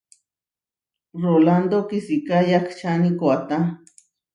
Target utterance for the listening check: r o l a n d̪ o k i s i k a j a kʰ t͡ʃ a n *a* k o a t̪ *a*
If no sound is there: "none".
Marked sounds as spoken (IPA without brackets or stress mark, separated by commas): i, a